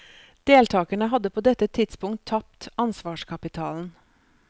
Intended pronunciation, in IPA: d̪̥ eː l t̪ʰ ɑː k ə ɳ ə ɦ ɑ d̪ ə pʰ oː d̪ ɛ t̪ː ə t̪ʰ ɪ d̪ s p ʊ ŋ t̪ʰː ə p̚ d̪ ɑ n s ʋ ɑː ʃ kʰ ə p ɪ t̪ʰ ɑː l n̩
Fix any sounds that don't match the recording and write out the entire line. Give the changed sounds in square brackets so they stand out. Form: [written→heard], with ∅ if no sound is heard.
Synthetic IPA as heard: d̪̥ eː l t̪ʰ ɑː k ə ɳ ə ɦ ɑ d̪ ə pʰ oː d̪ ɛ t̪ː ə t̪ʰ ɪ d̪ s p ʊ ŋ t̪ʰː [ə→ɑ] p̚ [d̪→t̪] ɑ n s ʋ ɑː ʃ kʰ [ə→ɑ] p ɪ t̪ʰ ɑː l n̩

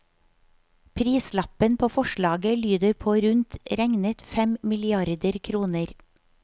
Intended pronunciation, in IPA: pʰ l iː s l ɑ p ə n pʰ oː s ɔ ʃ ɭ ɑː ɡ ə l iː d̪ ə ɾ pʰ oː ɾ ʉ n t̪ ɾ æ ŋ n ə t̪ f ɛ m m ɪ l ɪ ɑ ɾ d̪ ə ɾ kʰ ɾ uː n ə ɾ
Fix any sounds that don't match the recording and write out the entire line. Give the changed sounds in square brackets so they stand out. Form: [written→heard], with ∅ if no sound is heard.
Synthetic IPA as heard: pʰ [l→ɾ] iː s l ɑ p ə n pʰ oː [s→f] ɔ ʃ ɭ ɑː ɡ ə l [iː→yː] d̪ ə ɾ pʰ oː ɾ ʉ n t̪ ɾ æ ŋ n ə t̪ f ɛ m m ɪ l ɪ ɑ ɾ d̪ ə ɾ kʰ ɾ uː n ə ɾ

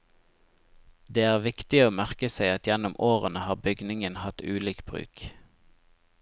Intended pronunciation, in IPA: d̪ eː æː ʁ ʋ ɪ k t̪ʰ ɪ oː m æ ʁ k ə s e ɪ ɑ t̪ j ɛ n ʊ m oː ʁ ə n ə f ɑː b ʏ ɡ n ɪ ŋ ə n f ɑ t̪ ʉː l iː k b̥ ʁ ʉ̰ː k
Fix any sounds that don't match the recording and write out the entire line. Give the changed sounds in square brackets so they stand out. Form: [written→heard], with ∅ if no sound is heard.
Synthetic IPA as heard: d̪ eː æː ʁ ʋ ɪ k [t̪ʰ→t̪] ɪ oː m æ ʁ k ə s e ɪ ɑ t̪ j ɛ n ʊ m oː ʁ ə n ə [f→h] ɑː b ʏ ɡ n ɪ ŋ ə n [f→h] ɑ t̪ ʉː l iː k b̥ ʁ ʉ̰ː k

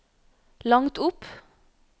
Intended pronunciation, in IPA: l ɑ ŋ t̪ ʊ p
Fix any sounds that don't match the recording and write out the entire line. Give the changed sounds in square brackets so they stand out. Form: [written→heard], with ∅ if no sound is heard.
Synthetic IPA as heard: l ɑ ŋ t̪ ʊ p

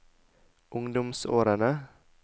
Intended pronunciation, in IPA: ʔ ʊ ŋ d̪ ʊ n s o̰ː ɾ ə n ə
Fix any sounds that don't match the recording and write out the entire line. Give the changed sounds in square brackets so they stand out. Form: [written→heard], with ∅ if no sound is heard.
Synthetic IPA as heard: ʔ ʊ ŋ d̪ ʊ [n→m] s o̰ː ɾ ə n ə

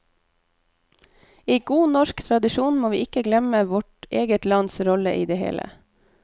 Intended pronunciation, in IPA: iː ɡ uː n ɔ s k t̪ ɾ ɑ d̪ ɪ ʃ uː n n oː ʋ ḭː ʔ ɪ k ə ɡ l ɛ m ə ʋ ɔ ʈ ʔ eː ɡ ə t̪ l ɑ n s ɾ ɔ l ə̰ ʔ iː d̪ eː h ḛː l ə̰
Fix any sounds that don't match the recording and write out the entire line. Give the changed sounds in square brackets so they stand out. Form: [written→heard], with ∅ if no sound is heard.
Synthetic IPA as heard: iː ɡ uː n ɔ [s→ʃ] k [t̪→t̪ʰ] ɾ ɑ d̪ ɪ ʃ uː n [n→m] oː ʋ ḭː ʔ ɪ k ə ɡ l ɛ m ə ʋ ɔ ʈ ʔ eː ɡ ə t̪ l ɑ n s ɾ ɔ l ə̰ ʔ iː d̪ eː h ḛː l ə̰

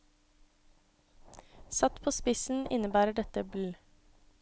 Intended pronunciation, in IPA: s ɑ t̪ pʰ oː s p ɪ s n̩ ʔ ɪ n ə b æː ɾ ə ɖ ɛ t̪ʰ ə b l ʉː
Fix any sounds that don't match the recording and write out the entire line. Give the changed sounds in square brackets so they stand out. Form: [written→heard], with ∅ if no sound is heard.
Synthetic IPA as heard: s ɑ t̪ pʰ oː s p ɪ s n̩ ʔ ɪ n ə b æː ɾ ə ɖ ɛ [t̪ʰ→t̪] ə b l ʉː

